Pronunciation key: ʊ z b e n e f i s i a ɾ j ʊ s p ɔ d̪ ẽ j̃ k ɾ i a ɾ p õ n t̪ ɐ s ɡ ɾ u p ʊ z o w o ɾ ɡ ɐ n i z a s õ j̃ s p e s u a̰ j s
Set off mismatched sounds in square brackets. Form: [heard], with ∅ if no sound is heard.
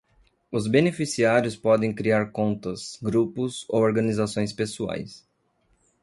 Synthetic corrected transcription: ʊ z b e n e f i s i a ɾ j ʊ s p ɔ d̪ ẽ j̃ k ɾ i a ɾ [k] õ n t̪ ɐ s ɡ ɾ u p ʊ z o w o ɾ ɡ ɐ n i z a s õ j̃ s p e s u a̰ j s